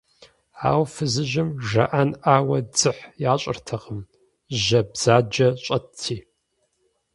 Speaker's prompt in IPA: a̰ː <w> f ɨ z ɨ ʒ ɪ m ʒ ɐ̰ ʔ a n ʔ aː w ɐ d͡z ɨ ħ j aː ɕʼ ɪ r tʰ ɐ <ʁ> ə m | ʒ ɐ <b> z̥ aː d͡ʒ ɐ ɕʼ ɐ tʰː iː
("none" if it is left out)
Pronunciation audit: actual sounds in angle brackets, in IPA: w, ʁ, b

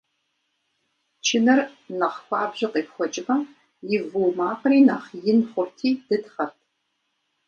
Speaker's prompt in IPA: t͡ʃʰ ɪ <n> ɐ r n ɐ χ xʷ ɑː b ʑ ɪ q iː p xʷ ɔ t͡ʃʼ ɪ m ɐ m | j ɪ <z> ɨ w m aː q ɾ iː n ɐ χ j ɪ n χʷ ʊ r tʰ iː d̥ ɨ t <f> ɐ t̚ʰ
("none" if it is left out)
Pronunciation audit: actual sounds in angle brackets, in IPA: n, v, χ

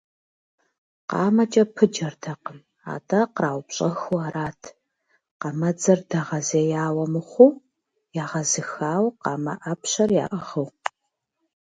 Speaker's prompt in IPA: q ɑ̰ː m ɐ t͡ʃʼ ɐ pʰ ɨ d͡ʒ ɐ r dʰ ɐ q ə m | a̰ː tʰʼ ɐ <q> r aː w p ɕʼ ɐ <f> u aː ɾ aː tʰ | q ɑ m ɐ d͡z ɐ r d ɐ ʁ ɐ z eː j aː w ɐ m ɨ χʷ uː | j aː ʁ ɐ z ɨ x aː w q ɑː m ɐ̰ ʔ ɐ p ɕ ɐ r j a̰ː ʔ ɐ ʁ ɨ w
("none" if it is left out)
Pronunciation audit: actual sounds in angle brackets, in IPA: q, x

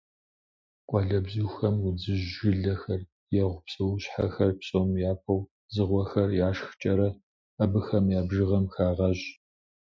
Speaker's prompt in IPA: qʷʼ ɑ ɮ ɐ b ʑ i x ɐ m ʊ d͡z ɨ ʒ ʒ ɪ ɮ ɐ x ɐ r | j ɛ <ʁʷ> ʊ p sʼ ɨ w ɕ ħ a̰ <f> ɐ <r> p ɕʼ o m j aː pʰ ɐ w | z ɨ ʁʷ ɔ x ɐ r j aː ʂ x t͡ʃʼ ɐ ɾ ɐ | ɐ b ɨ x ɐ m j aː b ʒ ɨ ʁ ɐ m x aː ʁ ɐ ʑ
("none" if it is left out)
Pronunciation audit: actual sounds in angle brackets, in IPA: ʁʷ, x, r

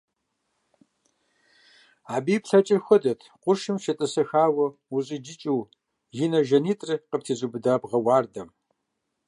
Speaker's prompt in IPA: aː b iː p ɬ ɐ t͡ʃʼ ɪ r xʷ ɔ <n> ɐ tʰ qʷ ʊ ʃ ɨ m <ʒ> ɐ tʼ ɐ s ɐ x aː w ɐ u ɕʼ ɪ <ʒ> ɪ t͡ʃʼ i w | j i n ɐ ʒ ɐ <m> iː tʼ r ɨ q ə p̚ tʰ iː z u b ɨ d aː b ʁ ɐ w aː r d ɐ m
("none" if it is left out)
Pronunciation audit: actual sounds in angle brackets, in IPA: d, ʃ, d͡ʒ, n

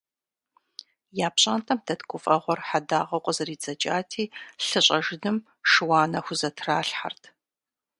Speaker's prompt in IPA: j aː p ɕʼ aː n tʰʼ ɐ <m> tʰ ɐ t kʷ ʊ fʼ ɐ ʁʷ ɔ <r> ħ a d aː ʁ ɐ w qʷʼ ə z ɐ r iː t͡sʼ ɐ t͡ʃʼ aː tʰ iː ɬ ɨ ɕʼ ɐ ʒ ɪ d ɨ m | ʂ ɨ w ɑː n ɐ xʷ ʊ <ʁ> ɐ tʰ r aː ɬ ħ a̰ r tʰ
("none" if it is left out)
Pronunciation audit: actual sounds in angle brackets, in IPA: m, r, z

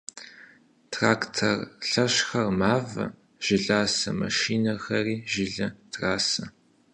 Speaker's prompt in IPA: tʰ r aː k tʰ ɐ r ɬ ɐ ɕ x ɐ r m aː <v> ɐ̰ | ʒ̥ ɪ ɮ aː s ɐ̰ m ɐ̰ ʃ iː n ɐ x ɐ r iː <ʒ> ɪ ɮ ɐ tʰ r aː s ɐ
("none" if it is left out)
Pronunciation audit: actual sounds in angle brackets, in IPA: v, ʒ

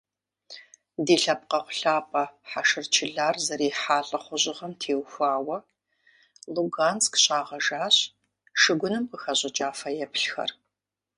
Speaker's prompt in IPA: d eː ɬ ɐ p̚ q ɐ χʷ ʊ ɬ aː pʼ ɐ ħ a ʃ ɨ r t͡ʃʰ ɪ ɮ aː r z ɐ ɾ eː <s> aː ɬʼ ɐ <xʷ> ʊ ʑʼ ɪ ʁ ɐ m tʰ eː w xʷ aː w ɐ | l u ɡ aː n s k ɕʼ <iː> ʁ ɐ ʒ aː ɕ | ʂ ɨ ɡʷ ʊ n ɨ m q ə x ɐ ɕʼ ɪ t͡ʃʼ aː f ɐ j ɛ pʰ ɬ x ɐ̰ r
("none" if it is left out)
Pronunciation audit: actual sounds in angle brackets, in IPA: ħ, χʷ, aː

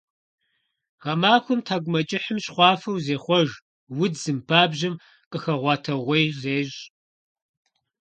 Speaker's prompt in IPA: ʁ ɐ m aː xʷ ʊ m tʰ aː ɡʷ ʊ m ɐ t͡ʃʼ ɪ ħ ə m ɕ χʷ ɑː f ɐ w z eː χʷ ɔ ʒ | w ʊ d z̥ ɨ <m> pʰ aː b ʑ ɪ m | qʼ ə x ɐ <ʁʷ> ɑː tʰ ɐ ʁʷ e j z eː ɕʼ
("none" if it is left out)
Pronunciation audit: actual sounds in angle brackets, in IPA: m, ʁʷ

